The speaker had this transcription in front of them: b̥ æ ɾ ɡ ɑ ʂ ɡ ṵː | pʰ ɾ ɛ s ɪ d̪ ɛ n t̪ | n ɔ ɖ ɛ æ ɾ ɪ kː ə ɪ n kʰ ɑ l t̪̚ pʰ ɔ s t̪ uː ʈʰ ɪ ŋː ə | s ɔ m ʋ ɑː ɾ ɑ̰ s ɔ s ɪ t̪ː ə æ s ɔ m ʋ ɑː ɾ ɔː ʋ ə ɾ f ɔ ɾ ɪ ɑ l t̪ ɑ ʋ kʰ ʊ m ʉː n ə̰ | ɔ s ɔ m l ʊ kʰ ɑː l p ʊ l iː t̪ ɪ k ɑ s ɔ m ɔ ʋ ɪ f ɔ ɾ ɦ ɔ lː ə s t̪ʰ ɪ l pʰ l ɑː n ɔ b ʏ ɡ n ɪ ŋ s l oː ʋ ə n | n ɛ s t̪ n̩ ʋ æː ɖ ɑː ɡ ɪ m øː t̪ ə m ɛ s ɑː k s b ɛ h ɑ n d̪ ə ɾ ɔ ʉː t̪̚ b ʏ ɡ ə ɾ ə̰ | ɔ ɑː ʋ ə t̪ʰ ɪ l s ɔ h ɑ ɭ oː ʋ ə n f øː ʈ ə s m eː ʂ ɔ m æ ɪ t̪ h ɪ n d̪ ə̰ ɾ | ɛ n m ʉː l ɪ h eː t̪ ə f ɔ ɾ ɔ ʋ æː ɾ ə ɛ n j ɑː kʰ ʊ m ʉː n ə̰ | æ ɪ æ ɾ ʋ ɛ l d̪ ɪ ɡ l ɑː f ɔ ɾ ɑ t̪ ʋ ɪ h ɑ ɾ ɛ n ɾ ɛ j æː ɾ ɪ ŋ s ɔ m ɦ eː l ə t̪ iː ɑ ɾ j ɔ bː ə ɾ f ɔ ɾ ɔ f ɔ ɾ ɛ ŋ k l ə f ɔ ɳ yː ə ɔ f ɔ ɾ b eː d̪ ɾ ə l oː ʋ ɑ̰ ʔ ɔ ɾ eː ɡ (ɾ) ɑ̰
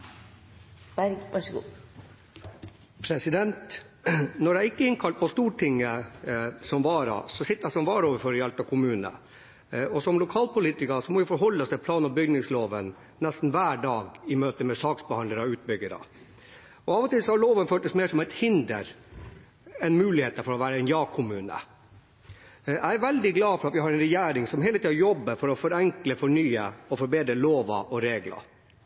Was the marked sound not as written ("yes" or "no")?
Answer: yes